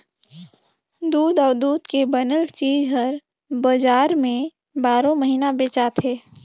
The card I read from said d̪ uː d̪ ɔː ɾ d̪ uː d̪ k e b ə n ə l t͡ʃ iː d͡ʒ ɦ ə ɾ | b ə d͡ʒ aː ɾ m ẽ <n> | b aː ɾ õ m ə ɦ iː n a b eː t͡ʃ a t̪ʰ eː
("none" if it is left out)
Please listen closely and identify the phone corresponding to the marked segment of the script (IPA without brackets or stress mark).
none